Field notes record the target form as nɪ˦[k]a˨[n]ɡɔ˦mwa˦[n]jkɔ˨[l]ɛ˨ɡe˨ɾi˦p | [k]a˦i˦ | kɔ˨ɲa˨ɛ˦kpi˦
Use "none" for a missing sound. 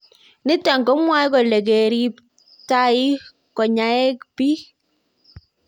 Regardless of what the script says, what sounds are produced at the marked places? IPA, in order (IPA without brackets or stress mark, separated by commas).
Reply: t, ŋ, none, l, t